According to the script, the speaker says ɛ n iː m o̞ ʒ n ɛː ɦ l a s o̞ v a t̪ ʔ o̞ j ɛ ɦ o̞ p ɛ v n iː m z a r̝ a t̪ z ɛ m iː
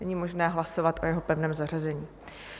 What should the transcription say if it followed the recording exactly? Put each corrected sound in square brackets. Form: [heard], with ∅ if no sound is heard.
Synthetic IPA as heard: ɛ [ɲ] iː m o̞ ʒ n ɛː ɦ l a s o̞ v a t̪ ʔ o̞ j ɛ ɦ o̞ p ɛ v n [ɛː] m z a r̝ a [∅] z ɛ [ɲ] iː

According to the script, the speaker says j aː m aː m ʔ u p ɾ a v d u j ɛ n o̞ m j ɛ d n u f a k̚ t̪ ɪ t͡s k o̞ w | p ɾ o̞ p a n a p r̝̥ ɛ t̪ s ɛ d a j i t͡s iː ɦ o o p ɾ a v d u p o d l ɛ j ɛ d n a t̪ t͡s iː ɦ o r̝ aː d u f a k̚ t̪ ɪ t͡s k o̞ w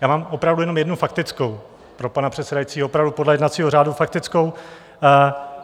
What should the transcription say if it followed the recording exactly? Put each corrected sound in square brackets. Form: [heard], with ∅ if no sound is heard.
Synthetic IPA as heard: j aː m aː m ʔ [o] p ɾ a v d u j ɛ n o̞ m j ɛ d n u f a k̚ t̪ ɪ t͡s k o̞ w | p ɾ o̞ p a n a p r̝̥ ɛ t̪ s ɛ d a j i t͡s iː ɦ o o p ɾ a v d u p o d l ɛ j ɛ d n a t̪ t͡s iː ɦ o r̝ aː d u f a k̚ t̪ ɪ t͡s k o̞ w

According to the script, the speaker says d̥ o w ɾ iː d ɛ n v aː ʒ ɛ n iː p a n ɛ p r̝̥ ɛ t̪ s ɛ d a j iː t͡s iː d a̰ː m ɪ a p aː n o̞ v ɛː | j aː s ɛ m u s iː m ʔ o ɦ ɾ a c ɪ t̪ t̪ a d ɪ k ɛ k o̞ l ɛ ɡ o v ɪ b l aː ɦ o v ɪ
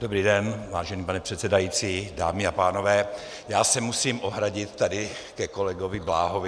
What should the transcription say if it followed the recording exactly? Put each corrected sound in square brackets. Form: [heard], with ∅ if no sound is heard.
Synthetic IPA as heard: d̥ o [b] ɾ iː d ɛ n v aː ʒ ɛ n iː p a n ɛ p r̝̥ ɛ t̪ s ɛ d a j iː t͡s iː d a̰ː m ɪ a p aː n o̞ v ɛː | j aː s ɛ m u s iː m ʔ o ɦ ɾ a [ɟ] ɪ t̪ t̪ a d ɪ k ɛ k o̞ l ɛ ɡ o v ɪ b l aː ɦ o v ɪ

